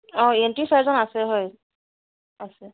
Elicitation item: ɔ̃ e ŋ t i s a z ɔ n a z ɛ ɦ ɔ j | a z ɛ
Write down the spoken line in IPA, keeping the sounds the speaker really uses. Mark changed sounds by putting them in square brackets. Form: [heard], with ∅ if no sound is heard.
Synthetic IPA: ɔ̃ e [n] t i s a z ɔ n a [s] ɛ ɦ ɔ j | a [s] ɛ